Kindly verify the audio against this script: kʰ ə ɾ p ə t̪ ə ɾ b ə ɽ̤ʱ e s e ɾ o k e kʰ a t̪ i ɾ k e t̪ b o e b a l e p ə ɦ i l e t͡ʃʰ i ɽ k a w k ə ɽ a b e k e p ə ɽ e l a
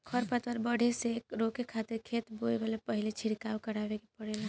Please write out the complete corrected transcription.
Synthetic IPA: kʰ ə ɾ p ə t̪ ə ɾ b ə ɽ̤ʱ e s e ɾ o k e kʰ a t̪ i ɾ kʰ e t̪ b o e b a l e p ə ɦ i l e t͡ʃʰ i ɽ k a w k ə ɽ a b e k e p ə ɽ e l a